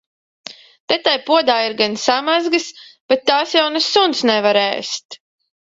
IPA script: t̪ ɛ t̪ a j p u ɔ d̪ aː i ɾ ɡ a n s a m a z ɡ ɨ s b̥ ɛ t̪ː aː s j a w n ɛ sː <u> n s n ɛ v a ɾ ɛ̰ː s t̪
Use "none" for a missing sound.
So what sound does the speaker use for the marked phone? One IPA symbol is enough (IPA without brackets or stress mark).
u